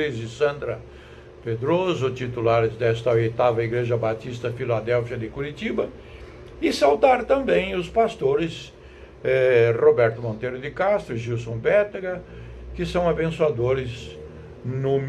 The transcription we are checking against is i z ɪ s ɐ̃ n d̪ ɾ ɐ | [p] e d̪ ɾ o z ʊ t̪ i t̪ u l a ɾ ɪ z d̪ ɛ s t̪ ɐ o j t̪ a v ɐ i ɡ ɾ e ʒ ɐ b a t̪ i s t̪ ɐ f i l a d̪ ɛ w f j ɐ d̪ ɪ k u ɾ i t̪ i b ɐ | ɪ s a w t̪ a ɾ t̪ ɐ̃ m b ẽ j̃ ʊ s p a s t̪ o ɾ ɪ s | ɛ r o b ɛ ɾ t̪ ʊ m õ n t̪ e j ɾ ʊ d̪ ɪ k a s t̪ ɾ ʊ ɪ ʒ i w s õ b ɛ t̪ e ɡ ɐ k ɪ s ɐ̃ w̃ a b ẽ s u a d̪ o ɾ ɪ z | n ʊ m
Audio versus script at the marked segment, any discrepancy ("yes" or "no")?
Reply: no